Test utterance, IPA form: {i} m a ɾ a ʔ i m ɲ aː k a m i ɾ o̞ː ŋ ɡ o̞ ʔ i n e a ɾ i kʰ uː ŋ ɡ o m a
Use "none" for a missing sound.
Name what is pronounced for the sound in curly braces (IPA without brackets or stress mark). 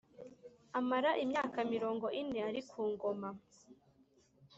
a